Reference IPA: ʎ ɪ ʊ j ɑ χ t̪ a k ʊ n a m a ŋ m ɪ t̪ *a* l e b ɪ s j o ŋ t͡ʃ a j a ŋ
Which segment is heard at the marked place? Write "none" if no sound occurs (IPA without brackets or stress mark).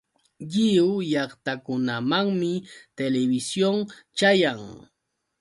e